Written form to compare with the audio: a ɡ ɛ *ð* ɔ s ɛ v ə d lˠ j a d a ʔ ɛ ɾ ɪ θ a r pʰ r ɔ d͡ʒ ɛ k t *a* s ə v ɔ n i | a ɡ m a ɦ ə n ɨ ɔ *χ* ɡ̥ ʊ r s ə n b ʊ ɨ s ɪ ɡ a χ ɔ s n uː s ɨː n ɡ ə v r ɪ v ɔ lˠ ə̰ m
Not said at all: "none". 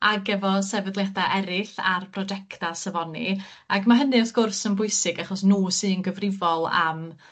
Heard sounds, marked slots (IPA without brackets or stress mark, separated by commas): v, a, θ